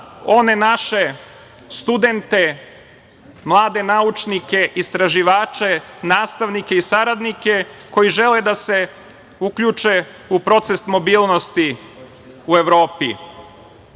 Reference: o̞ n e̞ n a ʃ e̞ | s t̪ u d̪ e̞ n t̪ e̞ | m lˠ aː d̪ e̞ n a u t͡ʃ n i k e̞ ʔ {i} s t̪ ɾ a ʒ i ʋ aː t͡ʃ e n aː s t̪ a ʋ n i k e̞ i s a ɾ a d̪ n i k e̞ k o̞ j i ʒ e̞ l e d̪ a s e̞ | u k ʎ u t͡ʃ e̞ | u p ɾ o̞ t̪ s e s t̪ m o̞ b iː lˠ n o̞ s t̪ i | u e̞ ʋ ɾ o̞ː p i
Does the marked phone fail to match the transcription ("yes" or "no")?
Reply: no